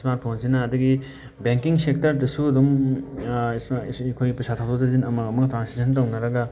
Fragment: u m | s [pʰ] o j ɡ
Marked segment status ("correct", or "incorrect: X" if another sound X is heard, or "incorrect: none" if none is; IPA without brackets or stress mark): incorrect: kʰ